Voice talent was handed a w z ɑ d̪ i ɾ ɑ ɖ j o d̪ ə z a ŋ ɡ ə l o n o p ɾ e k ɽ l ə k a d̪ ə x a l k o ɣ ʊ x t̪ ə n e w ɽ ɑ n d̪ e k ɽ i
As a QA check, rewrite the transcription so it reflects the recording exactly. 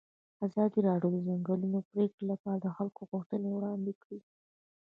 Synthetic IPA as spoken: a z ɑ d̪ i ɾ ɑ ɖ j o d̪ ə z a ŋ ɡ ə l u n o p ɾ e k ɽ l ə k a d̪ ə x a l k o ɣ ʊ x t̪ ə n e w ɽ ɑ n d̪ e k ɽ i

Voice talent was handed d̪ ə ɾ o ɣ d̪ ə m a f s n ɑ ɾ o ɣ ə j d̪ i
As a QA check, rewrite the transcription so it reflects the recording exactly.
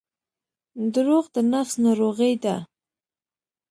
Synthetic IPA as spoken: d̪ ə ɾ o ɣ d̪ ə n a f s n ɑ ɾ o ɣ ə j d̪ a

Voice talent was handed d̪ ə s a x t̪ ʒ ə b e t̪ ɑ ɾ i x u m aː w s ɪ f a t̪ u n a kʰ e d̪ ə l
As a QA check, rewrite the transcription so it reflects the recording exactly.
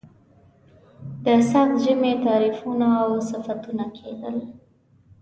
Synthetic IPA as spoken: d̪ ə s a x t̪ ʒ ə m e t̪ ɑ ɾ i f u n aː w s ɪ f a t̪ u n a kʰ e d̪ ə l

